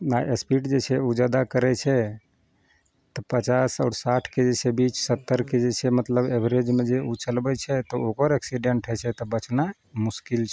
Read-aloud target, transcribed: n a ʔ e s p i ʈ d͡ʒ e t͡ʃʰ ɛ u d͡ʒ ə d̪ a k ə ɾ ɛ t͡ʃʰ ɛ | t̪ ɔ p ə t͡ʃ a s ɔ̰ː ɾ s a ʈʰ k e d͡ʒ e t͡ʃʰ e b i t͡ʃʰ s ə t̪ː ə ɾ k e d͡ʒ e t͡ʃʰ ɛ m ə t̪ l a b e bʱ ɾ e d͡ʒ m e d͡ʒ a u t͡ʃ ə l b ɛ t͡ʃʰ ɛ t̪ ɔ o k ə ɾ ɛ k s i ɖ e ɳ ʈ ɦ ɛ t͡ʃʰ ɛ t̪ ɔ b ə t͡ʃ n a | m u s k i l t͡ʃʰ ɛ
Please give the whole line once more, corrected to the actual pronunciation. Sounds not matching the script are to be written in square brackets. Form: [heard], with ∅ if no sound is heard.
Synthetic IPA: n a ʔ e s p i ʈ d͡ʒ e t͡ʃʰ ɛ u d͡ʒ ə d̪ a k ə ɾ ɛ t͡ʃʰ ɛ | t̪ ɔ p ə t͡ʃ a s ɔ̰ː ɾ s a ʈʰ k e d͡ʒ e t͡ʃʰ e b i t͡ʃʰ s ə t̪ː ə ɾ k e d͡ʒ e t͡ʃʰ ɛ m ə t̪ l [ə] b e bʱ ɾ e d͡ʒ m e d͡ʒ [e] u t͡ʃ ə l b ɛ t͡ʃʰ ɛ t̪ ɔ o k ə ɾ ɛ k s i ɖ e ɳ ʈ ɦ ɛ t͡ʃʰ ɛ t̪ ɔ b ə t͡ʃ n a | m u s k i l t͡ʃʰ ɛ